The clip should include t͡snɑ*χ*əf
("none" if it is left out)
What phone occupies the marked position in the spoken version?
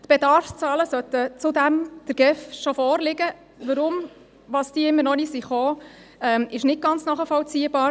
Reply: χ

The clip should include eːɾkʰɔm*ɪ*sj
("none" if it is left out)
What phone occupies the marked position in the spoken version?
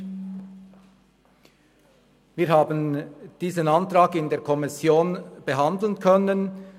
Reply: ɪ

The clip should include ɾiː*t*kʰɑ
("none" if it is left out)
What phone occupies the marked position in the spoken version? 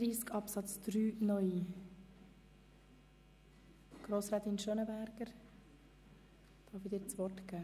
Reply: s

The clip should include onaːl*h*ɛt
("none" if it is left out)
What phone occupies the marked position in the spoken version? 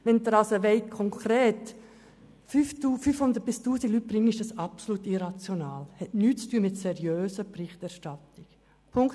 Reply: h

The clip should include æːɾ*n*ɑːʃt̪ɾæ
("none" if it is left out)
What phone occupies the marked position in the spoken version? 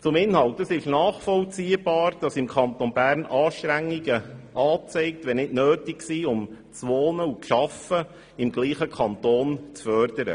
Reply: n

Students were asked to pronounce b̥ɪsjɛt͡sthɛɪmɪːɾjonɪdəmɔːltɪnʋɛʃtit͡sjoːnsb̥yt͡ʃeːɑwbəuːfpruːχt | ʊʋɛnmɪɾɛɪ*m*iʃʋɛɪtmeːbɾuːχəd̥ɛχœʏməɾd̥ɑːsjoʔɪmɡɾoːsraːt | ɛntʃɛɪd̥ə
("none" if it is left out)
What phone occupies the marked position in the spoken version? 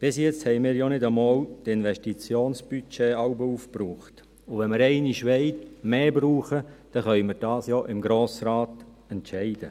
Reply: n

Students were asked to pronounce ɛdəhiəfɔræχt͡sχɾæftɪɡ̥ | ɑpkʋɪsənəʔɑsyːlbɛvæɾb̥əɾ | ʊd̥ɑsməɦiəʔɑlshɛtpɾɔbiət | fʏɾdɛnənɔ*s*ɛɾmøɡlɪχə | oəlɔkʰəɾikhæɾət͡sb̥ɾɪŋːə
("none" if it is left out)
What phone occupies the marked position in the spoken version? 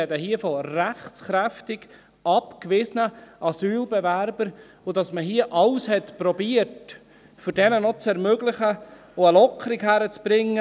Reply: t͡s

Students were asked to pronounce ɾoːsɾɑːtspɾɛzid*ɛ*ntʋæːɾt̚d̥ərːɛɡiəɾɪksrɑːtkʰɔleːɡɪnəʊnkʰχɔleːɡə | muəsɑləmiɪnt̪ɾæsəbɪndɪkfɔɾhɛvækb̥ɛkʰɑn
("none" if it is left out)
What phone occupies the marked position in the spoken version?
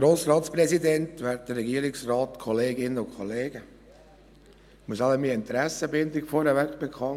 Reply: ɛ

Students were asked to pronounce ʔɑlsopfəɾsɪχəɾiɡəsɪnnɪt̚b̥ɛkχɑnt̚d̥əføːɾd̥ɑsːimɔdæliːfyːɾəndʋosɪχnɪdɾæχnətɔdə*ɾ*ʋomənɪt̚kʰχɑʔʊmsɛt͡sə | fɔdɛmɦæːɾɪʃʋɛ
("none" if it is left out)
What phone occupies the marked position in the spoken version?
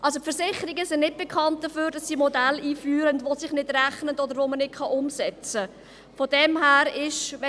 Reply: ɾ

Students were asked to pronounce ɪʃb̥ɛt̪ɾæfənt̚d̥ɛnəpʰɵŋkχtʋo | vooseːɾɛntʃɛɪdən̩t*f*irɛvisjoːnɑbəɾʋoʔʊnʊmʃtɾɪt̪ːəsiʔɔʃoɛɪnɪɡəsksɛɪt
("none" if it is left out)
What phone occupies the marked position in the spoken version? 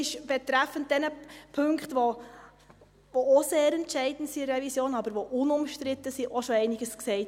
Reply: s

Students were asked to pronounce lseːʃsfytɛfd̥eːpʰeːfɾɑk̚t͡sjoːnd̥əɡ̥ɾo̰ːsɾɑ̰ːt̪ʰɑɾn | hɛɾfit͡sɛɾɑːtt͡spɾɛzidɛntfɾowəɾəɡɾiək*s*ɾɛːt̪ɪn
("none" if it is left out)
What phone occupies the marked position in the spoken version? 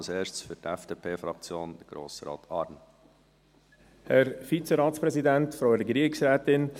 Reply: s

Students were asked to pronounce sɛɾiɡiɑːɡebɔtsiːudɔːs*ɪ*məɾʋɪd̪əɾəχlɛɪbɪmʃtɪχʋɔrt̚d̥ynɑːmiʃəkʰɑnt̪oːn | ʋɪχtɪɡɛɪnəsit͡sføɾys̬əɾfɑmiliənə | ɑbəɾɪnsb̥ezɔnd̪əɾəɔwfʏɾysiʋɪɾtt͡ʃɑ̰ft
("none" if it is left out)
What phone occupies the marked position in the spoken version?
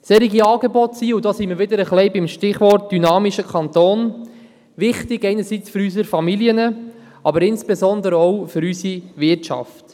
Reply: i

